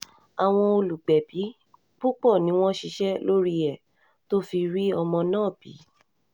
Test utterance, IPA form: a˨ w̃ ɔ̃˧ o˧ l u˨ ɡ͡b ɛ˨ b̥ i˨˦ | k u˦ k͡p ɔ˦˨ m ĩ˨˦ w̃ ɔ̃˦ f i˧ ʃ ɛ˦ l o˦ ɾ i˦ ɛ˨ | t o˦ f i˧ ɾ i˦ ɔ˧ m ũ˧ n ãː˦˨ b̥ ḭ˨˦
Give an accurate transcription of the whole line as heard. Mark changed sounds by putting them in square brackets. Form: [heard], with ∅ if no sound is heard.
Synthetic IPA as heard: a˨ w̃ ɔ̃˧ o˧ l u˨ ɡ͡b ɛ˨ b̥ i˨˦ | [k͡p] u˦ k͡p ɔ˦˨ [n] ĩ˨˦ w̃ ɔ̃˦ [ʃ] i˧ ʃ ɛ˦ l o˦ ɾ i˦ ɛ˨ | t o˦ f i˧ ɾ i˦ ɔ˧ m [ɔ̃˧] n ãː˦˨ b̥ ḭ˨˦